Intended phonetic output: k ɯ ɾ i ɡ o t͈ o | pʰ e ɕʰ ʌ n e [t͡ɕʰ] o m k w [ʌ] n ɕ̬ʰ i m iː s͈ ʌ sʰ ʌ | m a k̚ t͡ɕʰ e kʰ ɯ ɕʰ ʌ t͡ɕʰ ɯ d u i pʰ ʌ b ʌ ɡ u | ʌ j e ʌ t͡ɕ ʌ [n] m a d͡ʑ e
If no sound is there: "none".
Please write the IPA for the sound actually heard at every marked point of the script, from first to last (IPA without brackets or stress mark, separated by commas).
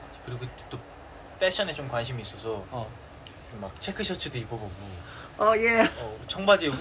t͡ɕ, a, ŋ